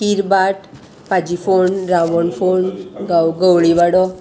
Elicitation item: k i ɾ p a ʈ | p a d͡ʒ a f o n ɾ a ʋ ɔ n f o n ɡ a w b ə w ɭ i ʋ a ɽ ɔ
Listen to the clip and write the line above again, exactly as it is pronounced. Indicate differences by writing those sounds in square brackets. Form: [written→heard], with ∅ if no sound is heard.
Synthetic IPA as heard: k i ɾ [p→b] a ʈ | p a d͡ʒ [a→i] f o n ɾ a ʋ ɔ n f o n ɡ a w [b→ɡ] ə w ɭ i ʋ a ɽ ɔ